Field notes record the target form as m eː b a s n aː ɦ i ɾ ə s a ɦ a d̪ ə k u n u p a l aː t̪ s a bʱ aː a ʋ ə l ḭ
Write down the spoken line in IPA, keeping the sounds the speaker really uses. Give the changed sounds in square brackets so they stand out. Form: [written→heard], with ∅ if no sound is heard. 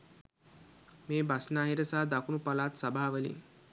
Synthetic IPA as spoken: m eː b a s n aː ɦ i ɾ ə s a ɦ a d̪ [ə→a] k u n u p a l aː t̪ s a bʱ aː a ʋ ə l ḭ